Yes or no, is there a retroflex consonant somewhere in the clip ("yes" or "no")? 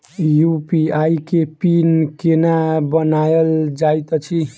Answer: no